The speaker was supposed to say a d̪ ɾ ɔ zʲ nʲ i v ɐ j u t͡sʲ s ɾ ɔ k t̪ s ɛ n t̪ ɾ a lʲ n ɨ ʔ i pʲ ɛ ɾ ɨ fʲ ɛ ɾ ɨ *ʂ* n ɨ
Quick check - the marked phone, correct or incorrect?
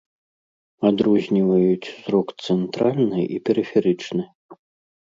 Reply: incorrect